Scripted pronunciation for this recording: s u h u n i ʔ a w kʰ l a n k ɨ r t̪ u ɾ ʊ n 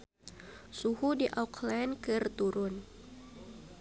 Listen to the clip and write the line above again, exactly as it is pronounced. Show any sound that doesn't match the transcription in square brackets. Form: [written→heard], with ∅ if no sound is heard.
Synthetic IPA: s u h u [n→d] i ʔ a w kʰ l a n k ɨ r t̪ u ɾ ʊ n